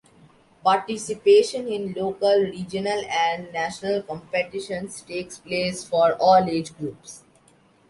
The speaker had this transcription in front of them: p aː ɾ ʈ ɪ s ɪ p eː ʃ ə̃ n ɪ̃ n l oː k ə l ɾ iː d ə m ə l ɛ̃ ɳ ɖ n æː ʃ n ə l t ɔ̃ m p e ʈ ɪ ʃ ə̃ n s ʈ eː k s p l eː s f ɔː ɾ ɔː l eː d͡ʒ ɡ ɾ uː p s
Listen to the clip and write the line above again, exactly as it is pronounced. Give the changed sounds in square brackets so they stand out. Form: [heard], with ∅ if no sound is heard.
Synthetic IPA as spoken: p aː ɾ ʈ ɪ s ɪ p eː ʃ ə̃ n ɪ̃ n l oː k ə l ɾ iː [d͡ʒ] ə [n] ə l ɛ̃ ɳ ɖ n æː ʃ n ə l [k] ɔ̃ m p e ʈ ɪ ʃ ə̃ n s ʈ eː k s p l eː s f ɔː ɾ ɔː l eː d͡ʒ ɡ ɾ uː p s